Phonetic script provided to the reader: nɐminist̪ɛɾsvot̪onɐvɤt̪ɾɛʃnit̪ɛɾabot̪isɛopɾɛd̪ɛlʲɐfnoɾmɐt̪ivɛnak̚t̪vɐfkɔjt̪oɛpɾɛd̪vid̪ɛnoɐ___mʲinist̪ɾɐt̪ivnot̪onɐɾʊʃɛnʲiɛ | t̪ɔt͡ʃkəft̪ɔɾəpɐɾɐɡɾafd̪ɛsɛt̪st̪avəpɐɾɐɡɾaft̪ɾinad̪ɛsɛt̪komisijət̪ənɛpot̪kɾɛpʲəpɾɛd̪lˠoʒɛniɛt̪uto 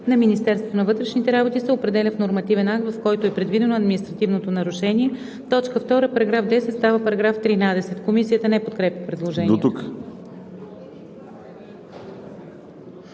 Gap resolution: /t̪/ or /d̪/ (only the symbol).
d̪